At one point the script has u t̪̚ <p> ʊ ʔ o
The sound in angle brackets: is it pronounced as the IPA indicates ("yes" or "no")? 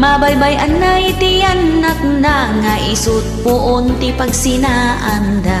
yes